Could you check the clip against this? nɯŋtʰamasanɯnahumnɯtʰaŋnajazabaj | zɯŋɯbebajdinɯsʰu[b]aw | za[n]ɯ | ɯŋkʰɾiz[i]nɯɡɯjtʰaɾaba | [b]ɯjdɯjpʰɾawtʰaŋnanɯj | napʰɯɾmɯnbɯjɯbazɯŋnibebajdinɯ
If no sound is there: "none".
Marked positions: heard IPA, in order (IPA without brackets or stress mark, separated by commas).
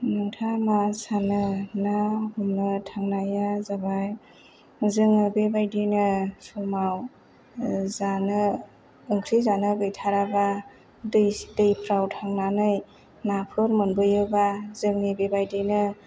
m, n, a, d